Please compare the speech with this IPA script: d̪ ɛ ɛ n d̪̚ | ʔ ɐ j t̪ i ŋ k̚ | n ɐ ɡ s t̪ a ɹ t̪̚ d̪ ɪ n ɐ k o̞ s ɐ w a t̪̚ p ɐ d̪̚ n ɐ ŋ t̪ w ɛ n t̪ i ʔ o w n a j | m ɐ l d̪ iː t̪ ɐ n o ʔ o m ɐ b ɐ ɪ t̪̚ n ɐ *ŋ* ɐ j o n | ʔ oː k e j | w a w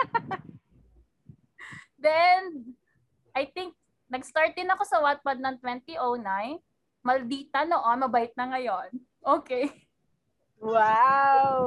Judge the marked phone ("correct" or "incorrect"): correct